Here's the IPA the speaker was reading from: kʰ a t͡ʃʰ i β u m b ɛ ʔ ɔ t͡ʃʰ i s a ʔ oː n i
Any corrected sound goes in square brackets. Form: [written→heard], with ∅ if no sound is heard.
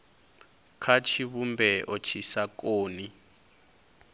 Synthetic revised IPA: kʰ a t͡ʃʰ i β u m b ɛ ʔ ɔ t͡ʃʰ i s a [ʔ→k] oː n i